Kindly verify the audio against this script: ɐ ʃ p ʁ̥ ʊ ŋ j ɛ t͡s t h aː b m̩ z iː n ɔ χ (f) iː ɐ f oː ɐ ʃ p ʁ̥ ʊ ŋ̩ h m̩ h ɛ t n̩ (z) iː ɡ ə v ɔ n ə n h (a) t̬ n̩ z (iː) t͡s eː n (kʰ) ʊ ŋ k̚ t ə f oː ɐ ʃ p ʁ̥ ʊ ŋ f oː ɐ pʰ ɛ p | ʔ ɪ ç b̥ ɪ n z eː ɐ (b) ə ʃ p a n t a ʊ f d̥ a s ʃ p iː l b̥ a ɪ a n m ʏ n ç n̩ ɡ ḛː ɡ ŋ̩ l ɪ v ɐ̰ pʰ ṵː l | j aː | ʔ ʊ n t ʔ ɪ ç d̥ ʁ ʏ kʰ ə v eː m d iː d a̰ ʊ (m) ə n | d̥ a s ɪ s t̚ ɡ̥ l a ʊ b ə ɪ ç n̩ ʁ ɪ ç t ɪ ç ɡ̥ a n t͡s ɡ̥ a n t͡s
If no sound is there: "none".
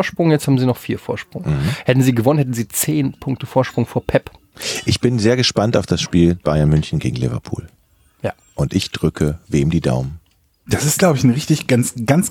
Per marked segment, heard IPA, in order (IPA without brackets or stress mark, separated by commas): f, z, ɛ, iː, pʰ, ɡ, m